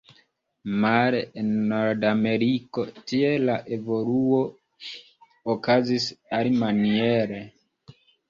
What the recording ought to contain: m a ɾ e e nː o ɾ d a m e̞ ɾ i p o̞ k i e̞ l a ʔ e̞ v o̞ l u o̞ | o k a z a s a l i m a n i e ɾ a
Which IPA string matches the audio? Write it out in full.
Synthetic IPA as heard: m a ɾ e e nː o ɾ d a m e̞ ɾ i k o̞ t i e̞ l a ʔ e̞ v o̞ l u o̞ | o k a z i s a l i m a n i e ɾ e